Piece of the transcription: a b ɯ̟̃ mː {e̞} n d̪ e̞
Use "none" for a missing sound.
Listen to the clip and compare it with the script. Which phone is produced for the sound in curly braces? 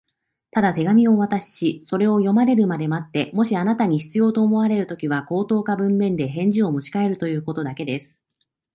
ẽ̞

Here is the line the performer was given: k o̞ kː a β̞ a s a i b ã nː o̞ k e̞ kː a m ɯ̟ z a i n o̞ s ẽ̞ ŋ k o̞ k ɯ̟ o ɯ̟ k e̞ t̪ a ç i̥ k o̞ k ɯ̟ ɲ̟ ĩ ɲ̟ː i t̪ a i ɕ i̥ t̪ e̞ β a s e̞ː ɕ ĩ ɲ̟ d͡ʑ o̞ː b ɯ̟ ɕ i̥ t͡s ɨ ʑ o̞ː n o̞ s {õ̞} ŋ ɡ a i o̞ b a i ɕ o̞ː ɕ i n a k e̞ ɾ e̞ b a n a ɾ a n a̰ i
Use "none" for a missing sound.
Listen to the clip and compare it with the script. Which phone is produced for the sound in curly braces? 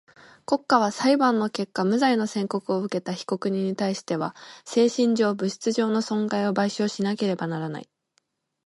õ̞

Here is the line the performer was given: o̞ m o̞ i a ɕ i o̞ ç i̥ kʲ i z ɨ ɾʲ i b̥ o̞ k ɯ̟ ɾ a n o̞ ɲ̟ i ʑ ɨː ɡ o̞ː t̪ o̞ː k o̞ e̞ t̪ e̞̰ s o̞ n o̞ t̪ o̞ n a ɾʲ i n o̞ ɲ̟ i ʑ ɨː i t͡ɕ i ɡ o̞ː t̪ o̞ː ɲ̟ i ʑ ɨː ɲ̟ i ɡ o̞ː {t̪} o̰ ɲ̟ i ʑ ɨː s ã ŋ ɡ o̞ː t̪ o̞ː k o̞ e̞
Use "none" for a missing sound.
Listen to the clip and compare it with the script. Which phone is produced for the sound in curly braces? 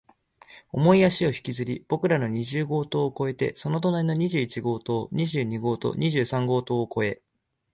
t̪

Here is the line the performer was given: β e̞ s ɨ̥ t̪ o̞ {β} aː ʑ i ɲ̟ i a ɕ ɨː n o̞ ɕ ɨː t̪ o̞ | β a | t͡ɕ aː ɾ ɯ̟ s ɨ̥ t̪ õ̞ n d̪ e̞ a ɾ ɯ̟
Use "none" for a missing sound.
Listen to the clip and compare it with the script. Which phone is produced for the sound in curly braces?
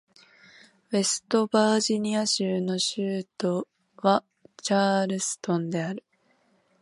b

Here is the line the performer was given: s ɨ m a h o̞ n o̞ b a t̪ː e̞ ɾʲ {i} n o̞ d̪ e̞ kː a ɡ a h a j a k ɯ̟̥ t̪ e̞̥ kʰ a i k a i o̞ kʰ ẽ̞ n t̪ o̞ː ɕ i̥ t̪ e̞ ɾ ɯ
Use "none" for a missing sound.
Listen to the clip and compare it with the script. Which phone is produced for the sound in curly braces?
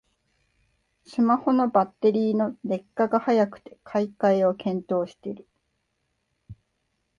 iː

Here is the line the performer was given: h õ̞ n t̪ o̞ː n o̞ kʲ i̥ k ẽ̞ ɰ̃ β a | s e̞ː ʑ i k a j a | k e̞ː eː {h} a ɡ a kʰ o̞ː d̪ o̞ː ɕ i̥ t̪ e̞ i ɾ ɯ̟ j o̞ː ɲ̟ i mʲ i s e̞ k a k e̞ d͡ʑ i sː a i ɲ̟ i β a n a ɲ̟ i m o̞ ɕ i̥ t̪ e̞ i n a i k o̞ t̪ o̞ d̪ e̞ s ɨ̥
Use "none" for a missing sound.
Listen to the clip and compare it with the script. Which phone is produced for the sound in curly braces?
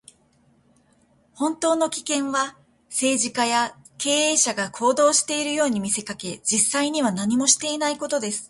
ɕ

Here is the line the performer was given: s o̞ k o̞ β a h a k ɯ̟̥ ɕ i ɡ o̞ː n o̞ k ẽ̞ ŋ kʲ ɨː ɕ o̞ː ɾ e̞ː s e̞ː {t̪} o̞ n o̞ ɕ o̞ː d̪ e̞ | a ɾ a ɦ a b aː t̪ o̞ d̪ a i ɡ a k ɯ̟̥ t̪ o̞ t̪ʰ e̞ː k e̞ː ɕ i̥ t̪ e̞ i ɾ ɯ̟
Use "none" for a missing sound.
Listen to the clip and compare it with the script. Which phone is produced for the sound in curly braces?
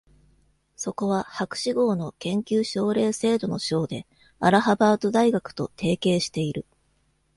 d̪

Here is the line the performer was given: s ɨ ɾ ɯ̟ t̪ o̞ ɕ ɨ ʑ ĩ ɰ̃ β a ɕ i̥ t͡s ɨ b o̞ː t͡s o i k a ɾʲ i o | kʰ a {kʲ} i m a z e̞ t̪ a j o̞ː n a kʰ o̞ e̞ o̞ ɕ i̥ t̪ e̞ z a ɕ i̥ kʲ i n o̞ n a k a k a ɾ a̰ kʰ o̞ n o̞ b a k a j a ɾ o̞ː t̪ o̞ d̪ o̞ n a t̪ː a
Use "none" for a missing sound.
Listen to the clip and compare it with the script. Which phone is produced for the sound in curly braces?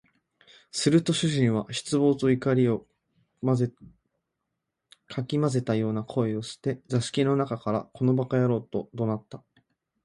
kʲ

